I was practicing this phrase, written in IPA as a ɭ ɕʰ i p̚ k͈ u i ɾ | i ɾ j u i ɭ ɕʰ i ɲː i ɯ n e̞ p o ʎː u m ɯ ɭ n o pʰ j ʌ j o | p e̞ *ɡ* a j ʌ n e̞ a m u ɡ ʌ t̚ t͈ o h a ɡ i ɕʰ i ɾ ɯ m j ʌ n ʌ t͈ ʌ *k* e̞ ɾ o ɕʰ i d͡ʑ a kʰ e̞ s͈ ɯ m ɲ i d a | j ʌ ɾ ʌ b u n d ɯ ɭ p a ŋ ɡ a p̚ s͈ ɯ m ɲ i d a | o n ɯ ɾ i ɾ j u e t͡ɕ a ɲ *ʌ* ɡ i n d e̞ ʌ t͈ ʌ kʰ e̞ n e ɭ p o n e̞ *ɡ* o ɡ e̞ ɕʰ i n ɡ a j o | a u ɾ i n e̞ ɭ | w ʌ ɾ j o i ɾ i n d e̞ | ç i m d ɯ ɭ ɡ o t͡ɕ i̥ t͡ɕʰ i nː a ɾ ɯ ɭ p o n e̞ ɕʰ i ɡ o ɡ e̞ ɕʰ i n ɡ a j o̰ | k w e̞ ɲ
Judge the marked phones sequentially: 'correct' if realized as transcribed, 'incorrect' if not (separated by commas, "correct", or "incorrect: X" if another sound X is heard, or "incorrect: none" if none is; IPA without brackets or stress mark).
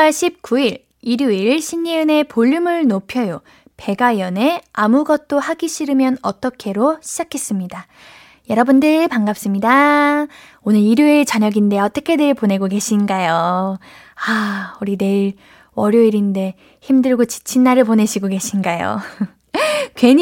correct, incorrect: kʰ, correct, correct